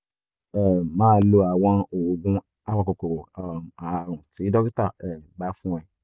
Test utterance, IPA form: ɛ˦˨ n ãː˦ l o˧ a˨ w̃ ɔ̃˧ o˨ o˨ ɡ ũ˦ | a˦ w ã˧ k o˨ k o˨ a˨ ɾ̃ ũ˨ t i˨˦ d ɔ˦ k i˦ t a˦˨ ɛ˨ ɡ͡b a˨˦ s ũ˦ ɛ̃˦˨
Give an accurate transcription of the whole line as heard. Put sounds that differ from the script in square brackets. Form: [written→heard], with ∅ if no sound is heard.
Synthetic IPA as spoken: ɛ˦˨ [n→m] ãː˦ l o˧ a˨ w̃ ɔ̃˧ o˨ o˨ ɡ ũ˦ | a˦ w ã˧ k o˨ k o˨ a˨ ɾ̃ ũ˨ t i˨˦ d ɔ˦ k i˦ t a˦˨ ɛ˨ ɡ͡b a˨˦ [s→f] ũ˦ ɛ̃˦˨

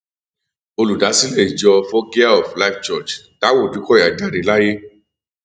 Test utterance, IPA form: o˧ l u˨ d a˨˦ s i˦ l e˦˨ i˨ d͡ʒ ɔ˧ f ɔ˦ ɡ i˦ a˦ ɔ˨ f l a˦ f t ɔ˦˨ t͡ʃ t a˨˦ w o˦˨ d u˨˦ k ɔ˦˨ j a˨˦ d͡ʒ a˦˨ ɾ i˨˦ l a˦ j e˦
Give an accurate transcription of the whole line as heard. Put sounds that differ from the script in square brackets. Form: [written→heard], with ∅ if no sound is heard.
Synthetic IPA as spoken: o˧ l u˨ d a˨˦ s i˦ l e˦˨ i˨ d͡ʒ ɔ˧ f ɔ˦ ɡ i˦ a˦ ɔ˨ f l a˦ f [t→t͡ʃ] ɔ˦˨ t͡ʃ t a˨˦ w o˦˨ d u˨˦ k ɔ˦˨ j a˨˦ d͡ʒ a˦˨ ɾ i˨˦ l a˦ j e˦

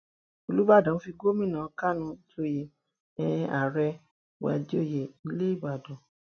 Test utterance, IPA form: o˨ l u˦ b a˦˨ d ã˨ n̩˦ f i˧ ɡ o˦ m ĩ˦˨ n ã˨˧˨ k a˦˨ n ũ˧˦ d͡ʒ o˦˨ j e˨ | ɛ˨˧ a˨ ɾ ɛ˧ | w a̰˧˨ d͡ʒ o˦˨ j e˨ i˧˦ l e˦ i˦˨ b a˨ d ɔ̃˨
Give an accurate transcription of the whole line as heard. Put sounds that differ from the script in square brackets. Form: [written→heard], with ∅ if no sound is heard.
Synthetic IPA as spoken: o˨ l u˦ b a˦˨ d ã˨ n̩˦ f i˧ ɡ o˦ m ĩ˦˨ n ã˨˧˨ k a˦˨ n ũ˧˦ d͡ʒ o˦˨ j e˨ | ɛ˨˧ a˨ ɾ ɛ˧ | w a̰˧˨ d͡ʒ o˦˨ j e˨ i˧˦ l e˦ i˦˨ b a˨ d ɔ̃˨

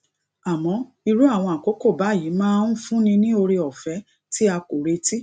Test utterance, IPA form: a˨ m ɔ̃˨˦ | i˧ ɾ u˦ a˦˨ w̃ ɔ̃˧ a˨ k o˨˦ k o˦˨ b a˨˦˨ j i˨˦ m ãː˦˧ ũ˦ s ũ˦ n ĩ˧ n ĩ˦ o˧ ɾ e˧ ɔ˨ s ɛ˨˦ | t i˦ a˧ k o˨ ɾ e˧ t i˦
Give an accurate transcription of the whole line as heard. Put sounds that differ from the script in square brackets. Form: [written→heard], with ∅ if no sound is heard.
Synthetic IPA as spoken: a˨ m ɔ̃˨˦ | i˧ ɾ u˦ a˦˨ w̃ ɔ̃˧ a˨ k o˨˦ k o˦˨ b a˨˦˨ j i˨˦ m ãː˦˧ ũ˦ [s→f] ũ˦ n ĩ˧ n ĩ˦ o˧ ɾ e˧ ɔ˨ [s→f] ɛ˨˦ | t i˦ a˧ k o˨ ɾ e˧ t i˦

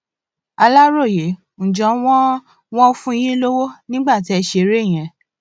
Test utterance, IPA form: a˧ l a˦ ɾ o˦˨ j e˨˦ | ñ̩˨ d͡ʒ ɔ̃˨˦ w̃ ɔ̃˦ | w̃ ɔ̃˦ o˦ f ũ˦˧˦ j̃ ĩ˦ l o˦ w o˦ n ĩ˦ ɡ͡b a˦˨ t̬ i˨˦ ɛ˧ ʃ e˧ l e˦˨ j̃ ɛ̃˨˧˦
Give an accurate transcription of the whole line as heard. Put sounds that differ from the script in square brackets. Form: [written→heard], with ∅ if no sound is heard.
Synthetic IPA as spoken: a˧ l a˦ ɾ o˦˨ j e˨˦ | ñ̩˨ d͡ʒ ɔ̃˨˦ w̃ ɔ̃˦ | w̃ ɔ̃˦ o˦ f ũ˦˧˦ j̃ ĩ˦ l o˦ w o˦ n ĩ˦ ɡ͡b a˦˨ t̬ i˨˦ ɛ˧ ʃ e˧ [l→ɾ] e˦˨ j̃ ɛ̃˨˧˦

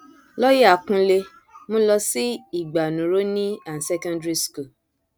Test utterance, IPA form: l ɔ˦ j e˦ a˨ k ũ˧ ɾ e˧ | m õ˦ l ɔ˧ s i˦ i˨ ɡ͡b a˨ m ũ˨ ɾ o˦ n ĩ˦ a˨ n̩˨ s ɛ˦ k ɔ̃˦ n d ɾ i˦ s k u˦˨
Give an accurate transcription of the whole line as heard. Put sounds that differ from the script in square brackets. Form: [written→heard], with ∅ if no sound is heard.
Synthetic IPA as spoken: l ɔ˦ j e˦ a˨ k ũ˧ [ɾ→l] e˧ | m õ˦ l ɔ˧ s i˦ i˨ ɡ͡b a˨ [m→n] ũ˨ ɾ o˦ n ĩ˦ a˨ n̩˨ s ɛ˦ k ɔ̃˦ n d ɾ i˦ s k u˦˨

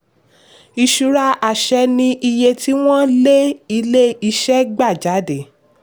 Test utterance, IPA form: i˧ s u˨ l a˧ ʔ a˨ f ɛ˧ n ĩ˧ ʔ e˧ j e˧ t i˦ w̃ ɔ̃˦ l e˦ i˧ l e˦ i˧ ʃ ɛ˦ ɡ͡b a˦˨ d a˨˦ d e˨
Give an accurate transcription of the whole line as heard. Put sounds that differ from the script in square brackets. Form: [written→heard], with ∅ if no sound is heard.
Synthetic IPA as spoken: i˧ [s→ʃ] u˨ [l→ɾ] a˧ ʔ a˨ [f→ʃ] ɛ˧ n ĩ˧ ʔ [e˧→i˧] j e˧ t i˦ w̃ ɔ̃˦ l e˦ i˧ l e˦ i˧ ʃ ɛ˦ ɡ͡b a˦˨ [d→d͡ʒ] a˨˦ d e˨

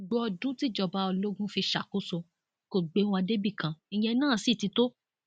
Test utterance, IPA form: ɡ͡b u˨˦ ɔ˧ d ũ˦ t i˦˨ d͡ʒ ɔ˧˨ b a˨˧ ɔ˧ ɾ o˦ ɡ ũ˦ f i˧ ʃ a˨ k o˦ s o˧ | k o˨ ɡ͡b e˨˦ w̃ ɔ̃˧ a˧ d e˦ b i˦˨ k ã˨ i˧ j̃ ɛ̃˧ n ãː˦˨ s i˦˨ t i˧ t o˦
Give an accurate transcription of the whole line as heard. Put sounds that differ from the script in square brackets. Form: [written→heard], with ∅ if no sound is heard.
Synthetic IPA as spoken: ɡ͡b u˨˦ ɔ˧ d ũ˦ t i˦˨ d͡ʒ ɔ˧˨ b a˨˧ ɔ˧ [ɾ→l] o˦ ɡ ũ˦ f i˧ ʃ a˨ k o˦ s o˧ | k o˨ ɡ͡b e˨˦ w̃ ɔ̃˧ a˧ d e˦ b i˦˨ k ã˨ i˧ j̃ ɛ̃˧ n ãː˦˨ s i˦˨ t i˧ t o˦

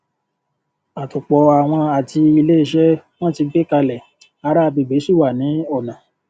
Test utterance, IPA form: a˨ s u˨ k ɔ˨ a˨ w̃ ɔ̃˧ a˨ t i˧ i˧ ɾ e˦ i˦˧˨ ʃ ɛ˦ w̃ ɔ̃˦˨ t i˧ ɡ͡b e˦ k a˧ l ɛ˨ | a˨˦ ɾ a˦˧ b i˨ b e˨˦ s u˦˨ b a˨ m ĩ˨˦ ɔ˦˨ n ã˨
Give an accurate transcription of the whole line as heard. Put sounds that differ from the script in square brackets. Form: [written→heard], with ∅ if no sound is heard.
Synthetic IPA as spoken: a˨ [s→t] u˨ [k→k͡p] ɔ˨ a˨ w̃ ɔ̃˧ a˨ t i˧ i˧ [ɾ→l] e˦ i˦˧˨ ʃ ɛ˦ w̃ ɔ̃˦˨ t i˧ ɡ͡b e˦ k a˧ l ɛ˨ | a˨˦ ɾ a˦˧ b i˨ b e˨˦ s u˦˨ [b→w] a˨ [m→n] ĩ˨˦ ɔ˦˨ n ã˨

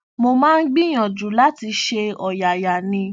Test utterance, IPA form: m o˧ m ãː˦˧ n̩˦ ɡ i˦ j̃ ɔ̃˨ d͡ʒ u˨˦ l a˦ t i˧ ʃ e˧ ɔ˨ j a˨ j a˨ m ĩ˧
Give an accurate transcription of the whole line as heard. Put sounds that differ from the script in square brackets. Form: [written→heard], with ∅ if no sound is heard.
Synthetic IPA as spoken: m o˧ m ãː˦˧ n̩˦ [ɡ→ɡ͡b] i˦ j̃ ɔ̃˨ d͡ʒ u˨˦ l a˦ t i˧ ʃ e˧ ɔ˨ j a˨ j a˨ [m→n] ĩ˧

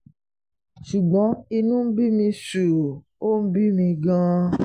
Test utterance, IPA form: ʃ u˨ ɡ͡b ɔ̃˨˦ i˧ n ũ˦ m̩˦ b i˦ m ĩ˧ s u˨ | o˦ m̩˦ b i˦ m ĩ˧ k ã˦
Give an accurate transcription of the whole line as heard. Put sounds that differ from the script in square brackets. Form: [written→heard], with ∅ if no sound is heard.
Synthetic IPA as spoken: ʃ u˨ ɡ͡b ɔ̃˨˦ i˧ n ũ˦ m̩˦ b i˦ m ĩ˧ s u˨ | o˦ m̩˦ b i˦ m ĩ˧ [k→ɡ] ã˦

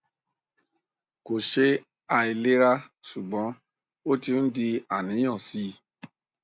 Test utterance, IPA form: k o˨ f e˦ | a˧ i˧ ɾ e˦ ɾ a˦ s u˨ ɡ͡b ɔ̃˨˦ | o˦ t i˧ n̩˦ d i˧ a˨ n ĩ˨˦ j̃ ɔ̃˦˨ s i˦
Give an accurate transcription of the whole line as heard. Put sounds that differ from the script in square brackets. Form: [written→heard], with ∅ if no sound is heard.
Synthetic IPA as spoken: k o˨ [f→ʃ] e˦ | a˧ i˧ [ɾ→l] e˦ ɾ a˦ s u˨ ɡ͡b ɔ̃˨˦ | o˦ t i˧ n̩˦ d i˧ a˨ n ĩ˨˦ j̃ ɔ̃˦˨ s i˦

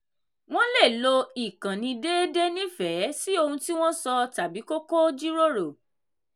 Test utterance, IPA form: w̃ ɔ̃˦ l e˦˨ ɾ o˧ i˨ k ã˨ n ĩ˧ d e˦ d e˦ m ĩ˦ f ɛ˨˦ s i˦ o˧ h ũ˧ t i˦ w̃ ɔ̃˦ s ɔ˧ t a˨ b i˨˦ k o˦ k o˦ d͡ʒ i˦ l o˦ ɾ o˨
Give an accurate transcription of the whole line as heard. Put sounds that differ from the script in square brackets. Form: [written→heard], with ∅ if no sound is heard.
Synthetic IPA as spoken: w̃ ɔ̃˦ l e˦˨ [ɾ→l] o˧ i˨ k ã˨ n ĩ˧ d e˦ d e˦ [m→n] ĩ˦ f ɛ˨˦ s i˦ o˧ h ũ˧ t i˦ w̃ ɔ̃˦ s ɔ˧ t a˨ b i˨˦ k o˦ k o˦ d͡ʒ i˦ [l→ɾ] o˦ ɾ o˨

